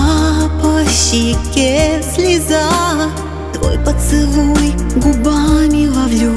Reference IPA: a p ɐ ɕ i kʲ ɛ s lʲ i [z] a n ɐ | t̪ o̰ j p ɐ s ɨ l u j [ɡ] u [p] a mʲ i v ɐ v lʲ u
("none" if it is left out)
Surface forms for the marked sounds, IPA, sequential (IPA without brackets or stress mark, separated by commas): z, ɡ, b